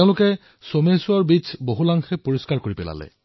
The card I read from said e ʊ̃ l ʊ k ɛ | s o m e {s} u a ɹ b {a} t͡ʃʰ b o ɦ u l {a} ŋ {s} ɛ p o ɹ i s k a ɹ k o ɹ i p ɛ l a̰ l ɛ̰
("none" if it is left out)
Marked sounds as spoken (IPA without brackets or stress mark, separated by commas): s, i, a, x